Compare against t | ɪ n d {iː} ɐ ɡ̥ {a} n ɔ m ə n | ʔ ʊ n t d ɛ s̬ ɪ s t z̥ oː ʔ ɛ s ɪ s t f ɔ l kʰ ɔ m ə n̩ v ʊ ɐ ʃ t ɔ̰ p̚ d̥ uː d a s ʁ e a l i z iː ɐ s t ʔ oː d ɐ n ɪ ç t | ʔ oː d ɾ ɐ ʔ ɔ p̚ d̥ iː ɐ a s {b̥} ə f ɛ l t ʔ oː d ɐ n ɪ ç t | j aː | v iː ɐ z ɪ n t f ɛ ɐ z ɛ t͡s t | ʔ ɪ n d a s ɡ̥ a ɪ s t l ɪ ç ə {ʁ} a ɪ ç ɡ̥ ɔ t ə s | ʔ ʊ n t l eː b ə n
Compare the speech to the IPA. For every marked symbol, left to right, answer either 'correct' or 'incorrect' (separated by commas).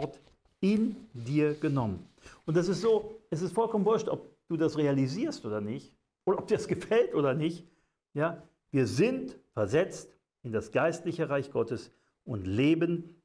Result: correct, incorrect, incorrect, correct